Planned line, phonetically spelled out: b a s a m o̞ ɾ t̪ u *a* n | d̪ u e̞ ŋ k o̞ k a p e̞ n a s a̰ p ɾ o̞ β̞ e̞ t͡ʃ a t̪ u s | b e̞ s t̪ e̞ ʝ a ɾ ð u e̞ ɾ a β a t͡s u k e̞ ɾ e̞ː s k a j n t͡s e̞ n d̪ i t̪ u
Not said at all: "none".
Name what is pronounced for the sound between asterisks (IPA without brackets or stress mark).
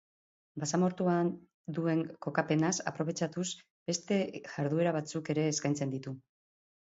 a